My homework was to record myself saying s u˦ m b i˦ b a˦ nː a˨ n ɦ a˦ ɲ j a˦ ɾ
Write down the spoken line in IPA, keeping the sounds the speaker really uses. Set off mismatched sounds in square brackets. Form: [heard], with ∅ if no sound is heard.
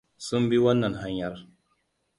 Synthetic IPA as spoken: s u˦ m b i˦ [w] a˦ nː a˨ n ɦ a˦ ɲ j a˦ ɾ